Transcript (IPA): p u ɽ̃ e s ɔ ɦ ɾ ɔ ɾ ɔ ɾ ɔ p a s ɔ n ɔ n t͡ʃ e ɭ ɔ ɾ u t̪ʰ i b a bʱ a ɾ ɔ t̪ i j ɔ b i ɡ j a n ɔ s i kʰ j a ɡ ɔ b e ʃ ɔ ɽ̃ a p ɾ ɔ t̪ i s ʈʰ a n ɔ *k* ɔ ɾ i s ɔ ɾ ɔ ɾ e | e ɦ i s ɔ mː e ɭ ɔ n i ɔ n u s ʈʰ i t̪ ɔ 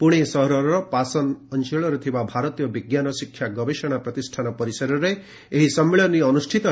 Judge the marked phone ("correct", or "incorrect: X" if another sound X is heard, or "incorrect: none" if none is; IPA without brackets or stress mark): incorrect: p